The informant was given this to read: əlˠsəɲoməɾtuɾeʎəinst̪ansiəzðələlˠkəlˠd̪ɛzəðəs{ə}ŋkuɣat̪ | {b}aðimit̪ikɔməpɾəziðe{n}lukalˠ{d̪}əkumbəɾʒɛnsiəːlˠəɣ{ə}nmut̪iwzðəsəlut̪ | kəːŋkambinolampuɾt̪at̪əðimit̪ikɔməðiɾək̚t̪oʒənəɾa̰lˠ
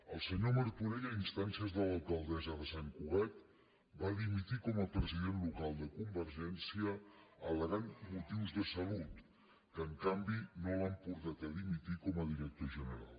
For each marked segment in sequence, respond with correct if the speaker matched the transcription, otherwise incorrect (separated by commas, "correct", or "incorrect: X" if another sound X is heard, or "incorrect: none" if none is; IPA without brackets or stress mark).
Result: incorrect: a, correct, correct, correct, incorrect: a